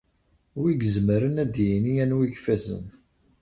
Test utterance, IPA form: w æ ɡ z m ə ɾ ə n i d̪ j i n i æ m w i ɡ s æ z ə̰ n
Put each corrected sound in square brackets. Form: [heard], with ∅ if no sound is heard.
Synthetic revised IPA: w [i] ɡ z m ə ɾ ə n [æ] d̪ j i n i æ [n] w i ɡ [f] æ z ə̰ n